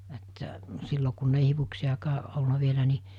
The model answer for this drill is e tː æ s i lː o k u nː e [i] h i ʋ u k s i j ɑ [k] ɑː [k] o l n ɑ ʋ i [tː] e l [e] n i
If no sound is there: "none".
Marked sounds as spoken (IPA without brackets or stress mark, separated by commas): i, k, ʔ, none, æ